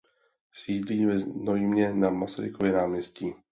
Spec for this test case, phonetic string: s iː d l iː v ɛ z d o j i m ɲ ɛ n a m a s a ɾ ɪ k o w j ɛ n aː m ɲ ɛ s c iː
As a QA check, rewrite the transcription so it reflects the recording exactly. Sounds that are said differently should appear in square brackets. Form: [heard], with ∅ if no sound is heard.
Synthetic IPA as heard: s iː d l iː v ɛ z [n] o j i m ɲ ɛ n a m a s a ɾ ɪ k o [v] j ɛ n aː m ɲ ɛ s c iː